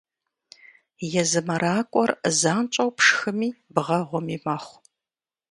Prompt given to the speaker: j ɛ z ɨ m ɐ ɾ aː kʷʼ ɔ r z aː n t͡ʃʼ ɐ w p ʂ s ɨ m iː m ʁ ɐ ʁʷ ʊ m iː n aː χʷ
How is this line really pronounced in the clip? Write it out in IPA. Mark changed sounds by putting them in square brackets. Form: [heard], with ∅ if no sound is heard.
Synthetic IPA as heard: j ɛ z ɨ m ɐ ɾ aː kʷʼ ɔ r z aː n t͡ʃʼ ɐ w p ʂ [x] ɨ m iː [b] ʁ ɐ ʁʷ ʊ m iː [m] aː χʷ